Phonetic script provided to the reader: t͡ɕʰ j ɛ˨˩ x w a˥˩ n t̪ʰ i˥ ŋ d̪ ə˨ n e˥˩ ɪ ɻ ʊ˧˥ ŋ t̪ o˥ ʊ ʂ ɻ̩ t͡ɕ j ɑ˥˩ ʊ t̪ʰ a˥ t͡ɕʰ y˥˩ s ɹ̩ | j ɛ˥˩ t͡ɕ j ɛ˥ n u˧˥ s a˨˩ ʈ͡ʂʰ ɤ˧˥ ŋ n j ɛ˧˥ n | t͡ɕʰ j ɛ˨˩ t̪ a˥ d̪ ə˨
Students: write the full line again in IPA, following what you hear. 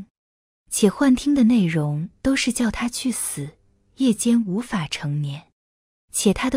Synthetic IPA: t͡ɕʰ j ɛ˨˩ x w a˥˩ n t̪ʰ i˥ ŋ d̪ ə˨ n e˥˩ ɪ ɻ ʊ˧˥ ŋ t̪ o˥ ʊ ʂ ɻ̩ t͡ɕ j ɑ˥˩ ʊ t̪ʰ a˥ t͡ɕʰ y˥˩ s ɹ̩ | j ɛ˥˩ t͡ɕ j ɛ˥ n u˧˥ f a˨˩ ʈ͡ʂʰ ɤ˧˥ ŋ n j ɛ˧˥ n | t͡ɕʰ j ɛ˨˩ t̪ʰ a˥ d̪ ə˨